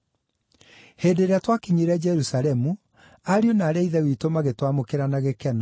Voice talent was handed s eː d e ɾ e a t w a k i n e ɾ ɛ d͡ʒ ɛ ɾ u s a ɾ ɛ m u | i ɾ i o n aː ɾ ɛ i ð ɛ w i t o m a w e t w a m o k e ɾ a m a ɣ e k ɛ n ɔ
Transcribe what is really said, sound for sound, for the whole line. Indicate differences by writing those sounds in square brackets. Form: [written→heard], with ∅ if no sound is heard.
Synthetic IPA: [s→h] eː d e ɾ e a t w a k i [n→ɲ] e ɾ ɛ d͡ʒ ɛ ɾ u s a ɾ ɛ m u | [i→a] ɾ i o n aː ɾ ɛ i ð ɛ w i t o m a [w→ɣ] e t w a m o k e ɾ a [m→n] a ɣ e k ɛ n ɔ